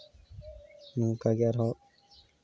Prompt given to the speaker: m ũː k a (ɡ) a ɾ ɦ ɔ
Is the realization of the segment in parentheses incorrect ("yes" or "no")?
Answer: no